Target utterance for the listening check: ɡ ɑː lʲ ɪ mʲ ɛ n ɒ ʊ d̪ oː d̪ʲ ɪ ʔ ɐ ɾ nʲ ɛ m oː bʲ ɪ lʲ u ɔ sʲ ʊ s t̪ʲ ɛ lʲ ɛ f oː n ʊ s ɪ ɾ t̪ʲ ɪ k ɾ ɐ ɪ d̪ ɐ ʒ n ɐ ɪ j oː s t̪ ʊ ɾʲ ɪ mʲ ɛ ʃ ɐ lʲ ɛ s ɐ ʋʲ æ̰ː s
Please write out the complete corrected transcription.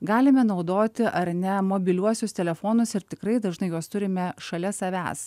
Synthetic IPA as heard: ɡ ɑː lʲ ɪ mʲ ɛ n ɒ ʊ d̪ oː t̪ʲ ɪ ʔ ɐ ɾ nʲ ɛ m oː bʲ ɪ lʲ u ɔ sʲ ʊ s t̪ʲ ɛ lʲ ɛ f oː n ʊ s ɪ ɾ t̪ʲ ɪ k ɾ ɐ ɪ d̪ ɐ ʒ n ɐ ɪ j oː s t̪ ʊ ɾʲ ɪ mʲ ɛ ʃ ɐ lʲ ɛ s ɐ ʋʲ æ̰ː s